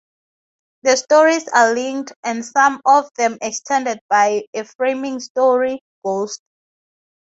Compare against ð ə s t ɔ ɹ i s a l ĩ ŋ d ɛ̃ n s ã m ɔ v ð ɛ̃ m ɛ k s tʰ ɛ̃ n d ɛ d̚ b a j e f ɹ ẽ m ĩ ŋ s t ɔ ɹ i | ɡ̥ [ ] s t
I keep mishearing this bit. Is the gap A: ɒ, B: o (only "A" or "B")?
B